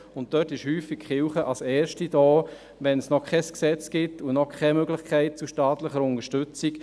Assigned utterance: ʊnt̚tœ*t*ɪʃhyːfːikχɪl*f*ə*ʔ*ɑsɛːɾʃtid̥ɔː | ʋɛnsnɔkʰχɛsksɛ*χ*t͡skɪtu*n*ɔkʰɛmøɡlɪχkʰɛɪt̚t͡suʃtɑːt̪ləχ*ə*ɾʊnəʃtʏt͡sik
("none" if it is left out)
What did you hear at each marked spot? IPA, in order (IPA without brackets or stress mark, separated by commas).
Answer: t, χ, ʔ, none, n, ə